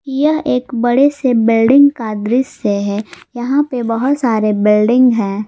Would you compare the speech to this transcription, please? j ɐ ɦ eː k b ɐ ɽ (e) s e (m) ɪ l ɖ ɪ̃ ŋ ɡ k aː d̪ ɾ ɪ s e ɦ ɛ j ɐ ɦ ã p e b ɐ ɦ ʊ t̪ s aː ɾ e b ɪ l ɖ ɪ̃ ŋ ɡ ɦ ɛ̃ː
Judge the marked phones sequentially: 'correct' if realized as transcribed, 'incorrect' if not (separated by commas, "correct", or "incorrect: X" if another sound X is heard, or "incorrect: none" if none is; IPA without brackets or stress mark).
correct, incorrect: b